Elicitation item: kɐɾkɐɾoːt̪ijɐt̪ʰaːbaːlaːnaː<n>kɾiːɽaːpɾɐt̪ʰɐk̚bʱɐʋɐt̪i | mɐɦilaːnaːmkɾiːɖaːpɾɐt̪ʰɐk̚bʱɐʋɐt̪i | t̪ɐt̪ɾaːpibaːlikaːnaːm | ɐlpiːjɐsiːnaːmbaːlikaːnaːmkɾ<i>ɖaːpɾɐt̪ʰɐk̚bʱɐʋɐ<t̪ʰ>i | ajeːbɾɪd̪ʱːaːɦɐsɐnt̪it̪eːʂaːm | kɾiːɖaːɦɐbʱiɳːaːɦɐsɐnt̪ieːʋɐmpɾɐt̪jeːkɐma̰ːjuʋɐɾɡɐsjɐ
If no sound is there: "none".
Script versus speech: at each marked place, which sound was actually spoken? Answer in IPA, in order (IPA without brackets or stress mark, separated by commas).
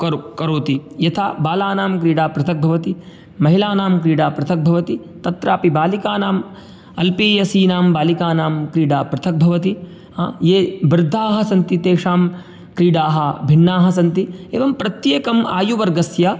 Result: m, iː, t̪